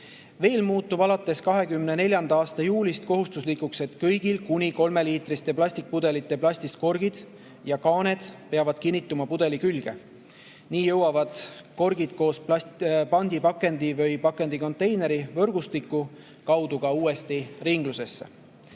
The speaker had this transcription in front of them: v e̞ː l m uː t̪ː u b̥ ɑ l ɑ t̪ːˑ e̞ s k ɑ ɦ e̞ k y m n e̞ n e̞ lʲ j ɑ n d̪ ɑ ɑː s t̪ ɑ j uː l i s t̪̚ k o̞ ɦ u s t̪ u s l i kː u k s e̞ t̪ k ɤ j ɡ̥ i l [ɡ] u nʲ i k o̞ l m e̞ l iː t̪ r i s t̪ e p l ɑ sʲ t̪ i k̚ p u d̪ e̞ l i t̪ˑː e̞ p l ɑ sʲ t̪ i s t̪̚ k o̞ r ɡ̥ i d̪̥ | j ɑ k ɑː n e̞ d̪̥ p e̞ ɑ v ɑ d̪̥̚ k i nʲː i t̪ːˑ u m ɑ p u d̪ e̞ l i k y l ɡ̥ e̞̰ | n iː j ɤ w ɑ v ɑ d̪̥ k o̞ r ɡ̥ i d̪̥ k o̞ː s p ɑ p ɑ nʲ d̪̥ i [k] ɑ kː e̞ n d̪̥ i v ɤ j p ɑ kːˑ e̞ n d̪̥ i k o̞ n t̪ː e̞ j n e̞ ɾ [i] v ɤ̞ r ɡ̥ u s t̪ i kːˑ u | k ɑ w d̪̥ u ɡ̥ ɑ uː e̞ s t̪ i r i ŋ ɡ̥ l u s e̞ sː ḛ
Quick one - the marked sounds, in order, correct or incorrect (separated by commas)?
incorrect, incorrect, correct